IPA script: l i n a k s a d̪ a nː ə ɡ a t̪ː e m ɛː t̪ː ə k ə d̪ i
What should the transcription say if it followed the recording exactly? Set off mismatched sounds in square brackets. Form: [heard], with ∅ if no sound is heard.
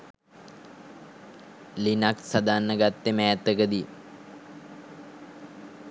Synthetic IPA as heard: l i n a k s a d̪ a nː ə ɡ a t̪ː e m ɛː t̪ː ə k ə d̪ i